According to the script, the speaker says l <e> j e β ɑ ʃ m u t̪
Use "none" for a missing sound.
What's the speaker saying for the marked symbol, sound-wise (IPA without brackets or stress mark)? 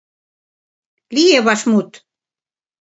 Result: i